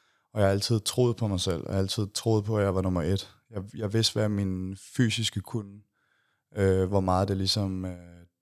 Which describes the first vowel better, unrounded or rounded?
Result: rounded